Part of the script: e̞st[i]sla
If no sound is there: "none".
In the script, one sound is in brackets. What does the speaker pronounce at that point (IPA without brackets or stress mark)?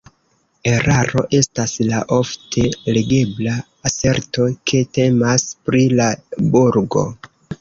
a